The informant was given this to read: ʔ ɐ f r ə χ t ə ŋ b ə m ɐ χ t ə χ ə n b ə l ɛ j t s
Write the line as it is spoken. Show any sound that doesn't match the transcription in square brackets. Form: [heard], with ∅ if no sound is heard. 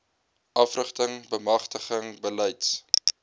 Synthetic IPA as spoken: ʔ ɐ f r ə χ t ə ŋ b ə m ɐ χ t ə χ ə [ŋ] b ə l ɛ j t s